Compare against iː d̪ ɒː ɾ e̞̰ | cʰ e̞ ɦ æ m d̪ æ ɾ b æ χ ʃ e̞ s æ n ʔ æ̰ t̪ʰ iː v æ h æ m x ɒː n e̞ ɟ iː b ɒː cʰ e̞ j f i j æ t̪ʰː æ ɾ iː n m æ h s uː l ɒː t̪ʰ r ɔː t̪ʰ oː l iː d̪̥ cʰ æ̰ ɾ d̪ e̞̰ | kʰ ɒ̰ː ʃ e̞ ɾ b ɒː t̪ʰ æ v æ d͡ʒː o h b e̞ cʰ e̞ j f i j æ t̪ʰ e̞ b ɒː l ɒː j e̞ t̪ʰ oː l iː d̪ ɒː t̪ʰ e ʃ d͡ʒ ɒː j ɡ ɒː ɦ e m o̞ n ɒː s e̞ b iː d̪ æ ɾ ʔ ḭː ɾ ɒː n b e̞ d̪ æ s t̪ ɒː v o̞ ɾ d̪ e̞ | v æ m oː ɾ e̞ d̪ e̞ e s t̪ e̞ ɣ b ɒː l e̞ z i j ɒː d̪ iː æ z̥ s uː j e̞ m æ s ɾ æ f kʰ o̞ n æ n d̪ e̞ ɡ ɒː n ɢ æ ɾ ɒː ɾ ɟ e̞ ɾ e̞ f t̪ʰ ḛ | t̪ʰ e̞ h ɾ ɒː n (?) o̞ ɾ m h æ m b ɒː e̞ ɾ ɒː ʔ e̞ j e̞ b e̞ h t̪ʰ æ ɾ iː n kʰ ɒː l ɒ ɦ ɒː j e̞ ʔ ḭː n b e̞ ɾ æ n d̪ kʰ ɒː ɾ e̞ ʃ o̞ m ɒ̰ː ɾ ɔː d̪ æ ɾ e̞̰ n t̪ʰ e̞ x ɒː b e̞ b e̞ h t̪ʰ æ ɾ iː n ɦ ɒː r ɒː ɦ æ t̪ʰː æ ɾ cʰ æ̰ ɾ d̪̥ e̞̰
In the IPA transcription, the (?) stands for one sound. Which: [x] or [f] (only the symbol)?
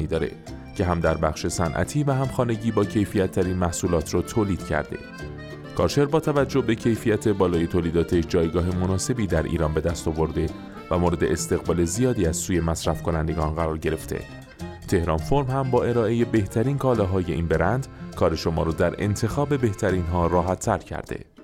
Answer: f